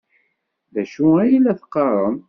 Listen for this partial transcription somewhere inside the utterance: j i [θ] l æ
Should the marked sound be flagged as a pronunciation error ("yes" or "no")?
yes